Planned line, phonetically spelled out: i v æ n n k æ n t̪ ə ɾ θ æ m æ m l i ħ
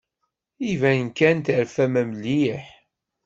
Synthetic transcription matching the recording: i v æ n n k æ n t̪ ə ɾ f æ m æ m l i ħ